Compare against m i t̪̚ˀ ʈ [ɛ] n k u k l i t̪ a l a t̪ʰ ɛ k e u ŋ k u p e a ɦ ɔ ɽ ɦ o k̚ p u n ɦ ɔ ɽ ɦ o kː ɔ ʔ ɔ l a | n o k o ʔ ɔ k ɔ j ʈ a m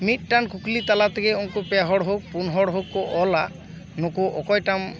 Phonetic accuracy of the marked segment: incorrect: a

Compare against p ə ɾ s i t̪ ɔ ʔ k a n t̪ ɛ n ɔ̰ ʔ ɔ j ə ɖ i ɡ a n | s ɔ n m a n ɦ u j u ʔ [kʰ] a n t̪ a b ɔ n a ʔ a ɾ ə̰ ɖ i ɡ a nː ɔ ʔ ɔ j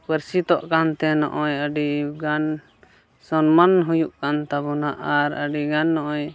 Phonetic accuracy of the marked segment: incorrect: k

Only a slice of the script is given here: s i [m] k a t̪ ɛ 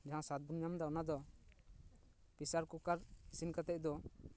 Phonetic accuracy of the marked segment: incorrect: n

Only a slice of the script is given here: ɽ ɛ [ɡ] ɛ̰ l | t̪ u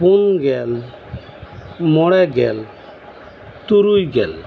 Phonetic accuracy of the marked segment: correct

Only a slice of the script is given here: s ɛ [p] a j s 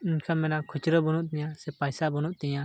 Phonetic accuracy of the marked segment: correct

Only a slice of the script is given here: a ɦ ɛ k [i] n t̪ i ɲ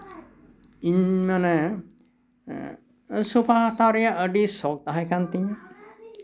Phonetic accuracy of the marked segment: incorrect: a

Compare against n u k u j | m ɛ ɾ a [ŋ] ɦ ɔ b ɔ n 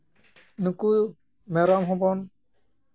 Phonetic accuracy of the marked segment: incorrect: m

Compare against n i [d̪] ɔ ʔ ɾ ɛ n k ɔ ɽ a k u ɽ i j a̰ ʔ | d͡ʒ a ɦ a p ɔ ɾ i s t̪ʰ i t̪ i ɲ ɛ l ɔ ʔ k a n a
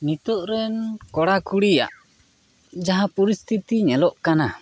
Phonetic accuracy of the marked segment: incorrect: t̪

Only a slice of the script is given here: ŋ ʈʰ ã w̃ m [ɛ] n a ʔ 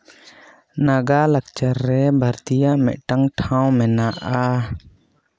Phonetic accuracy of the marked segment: correct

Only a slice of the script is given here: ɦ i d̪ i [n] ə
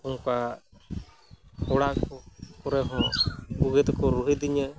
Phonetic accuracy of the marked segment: incorrect: ɲ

